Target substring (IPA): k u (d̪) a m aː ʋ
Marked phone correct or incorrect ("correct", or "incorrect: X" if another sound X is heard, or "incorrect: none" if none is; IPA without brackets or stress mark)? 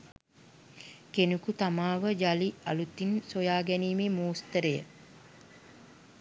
incorrect: t̪